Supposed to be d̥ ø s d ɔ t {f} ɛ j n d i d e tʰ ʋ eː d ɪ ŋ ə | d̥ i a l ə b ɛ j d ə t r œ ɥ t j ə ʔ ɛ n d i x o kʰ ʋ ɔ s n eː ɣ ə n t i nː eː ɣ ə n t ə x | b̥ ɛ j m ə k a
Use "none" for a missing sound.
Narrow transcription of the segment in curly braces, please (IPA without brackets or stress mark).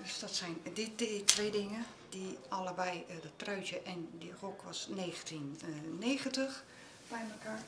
s